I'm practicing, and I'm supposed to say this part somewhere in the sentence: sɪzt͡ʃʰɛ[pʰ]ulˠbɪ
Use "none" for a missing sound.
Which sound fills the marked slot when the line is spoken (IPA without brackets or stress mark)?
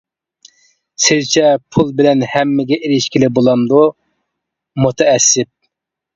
pʰ